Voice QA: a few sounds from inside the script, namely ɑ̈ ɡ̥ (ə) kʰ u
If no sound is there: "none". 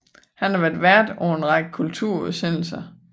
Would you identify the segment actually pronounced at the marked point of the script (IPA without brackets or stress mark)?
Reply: ə